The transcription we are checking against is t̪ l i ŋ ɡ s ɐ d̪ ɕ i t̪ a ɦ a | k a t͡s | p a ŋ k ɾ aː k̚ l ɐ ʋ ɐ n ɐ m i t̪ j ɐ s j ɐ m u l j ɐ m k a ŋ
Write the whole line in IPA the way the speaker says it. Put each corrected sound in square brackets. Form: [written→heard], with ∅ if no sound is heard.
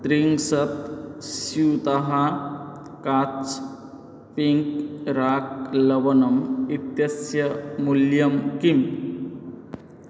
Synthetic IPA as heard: t̪ [l→ɾ] i ŋ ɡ s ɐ [d̪→t̪] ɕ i t̪ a ɦ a | k a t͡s | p [a→i] ŋ k ɾ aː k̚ l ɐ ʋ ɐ n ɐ m i t̪ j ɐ s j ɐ m u l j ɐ m k [a→i] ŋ